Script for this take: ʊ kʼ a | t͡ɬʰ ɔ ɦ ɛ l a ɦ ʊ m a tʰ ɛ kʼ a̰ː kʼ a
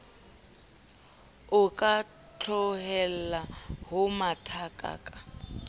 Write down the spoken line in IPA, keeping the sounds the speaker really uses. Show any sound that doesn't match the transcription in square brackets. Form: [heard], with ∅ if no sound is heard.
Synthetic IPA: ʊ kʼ a | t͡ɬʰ ɔ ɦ ɛ l a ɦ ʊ m a tʰ [a] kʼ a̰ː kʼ a